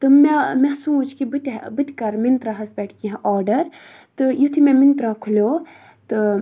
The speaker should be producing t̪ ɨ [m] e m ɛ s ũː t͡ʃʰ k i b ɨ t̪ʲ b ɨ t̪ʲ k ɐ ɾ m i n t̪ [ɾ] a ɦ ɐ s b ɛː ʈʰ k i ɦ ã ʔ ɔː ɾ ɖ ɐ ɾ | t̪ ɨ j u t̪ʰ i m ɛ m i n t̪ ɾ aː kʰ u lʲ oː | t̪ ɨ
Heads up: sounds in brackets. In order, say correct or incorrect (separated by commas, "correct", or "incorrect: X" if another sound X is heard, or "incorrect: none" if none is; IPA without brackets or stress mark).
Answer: correct, correct